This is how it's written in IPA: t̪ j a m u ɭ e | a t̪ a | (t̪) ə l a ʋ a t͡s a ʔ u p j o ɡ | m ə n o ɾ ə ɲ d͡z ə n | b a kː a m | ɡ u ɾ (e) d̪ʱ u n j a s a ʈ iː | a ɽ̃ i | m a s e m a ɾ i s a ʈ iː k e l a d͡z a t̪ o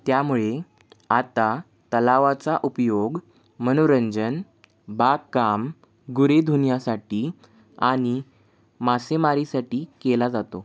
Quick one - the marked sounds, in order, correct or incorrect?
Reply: correct, correct

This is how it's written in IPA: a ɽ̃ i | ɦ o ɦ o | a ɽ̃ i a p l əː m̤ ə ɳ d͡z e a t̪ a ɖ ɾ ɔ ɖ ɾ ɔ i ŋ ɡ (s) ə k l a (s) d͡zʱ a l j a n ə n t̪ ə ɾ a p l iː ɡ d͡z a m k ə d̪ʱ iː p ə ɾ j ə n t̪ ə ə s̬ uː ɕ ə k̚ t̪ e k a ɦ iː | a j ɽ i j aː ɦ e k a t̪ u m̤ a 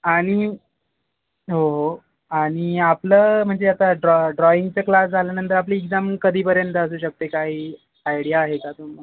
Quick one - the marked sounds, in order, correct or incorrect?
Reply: incorrect, correct

